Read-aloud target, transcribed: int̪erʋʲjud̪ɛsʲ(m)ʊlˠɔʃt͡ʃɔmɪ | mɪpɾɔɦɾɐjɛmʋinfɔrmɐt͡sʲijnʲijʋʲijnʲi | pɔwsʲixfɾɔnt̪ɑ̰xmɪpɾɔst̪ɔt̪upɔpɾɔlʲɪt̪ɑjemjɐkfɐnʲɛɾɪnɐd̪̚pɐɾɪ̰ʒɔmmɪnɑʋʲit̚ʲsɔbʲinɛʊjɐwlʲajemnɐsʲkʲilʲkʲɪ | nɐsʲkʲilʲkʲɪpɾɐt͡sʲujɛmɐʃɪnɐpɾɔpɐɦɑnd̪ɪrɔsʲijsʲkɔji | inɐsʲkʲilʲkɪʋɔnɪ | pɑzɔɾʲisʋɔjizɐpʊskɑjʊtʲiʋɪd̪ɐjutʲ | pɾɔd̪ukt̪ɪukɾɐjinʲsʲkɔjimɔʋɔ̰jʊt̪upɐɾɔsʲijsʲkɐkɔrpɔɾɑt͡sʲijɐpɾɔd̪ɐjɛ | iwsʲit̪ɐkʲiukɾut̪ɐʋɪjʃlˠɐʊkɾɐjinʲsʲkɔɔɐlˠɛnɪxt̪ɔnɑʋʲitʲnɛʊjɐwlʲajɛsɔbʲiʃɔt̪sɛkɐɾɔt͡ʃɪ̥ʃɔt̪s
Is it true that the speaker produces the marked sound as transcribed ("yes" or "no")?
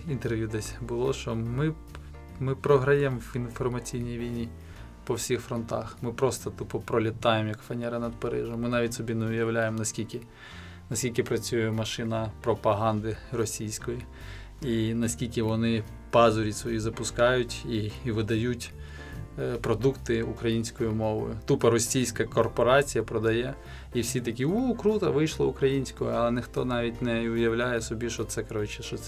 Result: no